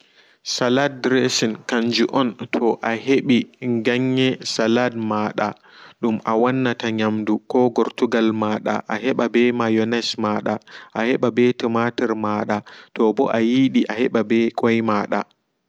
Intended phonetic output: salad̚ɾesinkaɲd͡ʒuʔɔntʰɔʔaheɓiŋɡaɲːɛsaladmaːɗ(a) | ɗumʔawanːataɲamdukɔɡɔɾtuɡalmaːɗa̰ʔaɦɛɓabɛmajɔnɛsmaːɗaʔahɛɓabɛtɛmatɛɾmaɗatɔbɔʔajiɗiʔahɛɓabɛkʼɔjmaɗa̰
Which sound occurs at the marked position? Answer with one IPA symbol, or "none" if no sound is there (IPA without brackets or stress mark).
a